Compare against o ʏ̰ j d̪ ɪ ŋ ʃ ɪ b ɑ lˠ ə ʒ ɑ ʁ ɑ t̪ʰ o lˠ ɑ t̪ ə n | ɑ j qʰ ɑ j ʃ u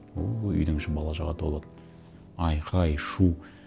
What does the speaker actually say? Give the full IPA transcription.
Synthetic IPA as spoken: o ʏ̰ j d̪ ɪ ŋ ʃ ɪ b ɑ lˠ ɑ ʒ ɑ ʁ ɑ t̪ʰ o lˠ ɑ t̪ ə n | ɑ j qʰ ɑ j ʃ u